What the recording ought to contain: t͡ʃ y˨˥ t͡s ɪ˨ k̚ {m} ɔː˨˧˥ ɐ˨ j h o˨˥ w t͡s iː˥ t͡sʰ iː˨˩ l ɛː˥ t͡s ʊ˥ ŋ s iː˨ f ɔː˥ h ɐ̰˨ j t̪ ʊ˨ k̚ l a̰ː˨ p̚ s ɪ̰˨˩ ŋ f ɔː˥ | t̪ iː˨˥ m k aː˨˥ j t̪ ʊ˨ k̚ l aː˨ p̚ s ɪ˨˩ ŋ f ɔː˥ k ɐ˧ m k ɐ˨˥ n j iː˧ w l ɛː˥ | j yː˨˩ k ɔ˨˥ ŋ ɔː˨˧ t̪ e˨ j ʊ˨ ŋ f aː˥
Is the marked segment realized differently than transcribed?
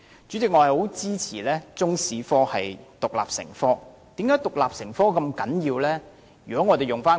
yes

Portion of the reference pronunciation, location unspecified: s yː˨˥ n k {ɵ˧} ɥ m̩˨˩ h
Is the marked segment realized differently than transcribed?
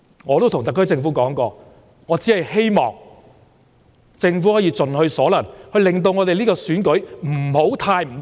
yes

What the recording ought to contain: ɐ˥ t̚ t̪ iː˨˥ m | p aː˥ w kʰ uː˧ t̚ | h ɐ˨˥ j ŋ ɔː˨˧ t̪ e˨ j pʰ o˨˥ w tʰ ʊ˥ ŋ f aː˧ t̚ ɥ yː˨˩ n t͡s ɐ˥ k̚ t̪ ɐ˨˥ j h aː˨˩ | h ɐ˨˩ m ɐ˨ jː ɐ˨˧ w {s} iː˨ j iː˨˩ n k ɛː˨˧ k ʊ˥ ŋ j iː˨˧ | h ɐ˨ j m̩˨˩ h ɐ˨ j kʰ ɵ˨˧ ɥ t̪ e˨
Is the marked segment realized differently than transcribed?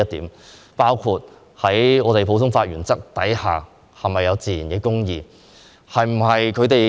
yes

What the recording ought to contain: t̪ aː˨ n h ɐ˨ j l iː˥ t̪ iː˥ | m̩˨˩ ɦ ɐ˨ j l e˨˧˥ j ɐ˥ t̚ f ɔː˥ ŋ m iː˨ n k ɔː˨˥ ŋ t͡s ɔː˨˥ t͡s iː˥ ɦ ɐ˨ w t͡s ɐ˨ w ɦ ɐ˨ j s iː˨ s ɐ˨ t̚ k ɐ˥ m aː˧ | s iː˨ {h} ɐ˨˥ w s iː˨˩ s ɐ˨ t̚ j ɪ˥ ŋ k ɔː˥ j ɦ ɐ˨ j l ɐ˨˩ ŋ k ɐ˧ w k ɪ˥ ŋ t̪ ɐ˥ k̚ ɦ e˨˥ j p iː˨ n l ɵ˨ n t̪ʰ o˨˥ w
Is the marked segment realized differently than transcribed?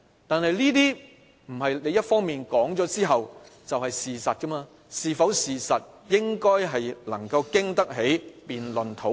yes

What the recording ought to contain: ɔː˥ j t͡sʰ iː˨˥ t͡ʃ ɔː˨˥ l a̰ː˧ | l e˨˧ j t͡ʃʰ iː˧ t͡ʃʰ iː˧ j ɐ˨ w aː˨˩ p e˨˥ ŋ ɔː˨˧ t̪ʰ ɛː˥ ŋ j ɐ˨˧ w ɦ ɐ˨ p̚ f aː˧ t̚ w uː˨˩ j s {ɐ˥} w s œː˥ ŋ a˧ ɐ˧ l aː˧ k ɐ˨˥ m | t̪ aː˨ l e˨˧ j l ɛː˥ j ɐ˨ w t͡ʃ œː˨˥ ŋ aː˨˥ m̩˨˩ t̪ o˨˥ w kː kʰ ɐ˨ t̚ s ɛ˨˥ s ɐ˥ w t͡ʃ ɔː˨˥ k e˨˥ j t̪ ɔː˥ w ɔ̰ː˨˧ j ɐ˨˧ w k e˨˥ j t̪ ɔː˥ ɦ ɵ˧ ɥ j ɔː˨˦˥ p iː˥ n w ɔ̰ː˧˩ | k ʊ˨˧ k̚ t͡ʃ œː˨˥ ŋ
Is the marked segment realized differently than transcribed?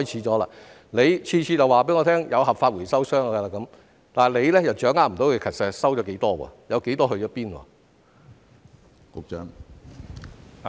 no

